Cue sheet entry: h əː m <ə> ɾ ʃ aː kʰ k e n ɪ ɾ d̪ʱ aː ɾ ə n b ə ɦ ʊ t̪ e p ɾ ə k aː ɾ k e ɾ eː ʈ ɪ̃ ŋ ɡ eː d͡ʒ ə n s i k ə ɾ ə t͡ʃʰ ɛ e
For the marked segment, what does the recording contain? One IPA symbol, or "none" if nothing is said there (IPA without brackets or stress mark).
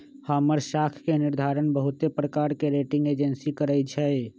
ə